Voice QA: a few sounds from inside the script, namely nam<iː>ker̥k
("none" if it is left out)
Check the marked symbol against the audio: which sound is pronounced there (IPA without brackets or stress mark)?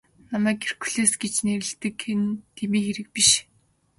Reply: æː